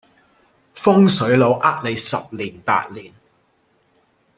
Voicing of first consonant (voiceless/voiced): voiceless